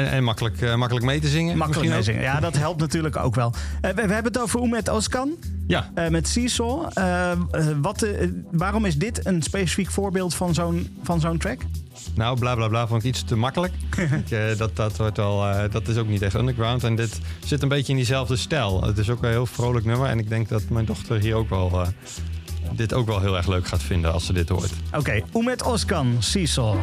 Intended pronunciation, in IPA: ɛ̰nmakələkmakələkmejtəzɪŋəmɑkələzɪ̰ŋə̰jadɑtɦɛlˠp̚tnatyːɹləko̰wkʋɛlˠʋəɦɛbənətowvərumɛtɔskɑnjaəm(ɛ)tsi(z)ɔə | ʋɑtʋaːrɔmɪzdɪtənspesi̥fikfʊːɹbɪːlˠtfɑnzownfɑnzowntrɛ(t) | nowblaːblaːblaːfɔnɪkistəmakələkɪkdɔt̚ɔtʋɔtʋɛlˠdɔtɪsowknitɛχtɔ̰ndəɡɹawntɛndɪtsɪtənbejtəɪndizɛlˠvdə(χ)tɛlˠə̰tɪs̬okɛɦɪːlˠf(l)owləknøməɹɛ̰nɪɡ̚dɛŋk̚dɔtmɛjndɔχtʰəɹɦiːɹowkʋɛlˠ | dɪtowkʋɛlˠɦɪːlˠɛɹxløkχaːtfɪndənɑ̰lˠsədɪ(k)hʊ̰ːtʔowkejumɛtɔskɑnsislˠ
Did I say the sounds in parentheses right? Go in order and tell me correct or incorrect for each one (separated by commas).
correct, incorrect, incorrect, incorrect, incorrect, incorrect